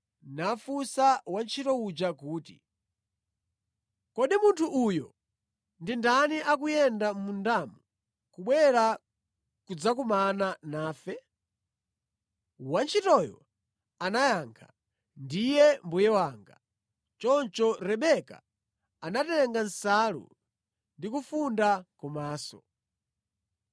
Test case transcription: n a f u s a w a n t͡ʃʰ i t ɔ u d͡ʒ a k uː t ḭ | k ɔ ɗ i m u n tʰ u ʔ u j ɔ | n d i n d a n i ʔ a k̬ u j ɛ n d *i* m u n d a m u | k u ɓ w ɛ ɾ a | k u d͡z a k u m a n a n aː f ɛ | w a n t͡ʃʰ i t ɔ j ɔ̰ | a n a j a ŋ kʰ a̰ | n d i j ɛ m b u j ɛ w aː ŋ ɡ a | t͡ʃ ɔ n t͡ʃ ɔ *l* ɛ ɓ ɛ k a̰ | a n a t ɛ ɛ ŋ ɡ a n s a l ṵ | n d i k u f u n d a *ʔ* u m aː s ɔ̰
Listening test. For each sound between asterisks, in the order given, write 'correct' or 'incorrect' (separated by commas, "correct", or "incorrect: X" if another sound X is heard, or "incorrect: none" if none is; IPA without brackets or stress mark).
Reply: incorrect: a, incorrect: ɾ, incorrect: k